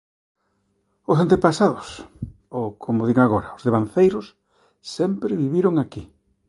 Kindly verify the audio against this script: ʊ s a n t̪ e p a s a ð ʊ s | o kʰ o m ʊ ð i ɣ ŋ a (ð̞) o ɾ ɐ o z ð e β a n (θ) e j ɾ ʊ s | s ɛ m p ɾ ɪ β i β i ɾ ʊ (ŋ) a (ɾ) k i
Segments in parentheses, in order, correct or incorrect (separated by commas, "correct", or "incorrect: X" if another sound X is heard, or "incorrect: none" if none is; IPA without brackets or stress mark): incorrect: ɣ̞, correct, correct, incorrect: none